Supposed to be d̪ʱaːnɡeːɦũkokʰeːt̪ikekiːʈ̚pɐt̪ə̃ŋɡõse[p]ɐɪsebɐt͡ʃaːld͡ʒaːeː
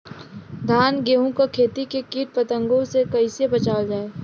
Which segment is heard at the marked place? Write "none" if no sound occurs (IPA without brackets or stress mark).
k